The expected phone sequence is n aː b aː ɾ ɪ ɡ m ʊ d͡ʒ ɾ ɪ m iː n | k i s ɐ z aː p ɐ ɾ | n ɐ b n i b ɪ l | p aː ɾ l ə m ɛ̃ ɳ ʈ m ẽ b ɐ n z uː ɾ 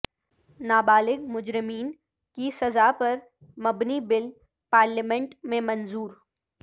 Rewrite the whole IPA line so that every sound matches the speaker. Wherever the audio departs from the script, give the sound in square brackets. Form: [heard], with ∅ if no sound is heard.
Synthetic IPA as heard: n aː b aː [l] ɪ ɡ m ʊ d͡ʒ ɾ ɪ m iː n | k i s ɐ z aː p ɐ ɾ | [m] ɐ b n i b ɪ l | p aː ɾ l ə m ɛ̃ ɳ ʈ m ẽ [m] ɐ n z uː ɾ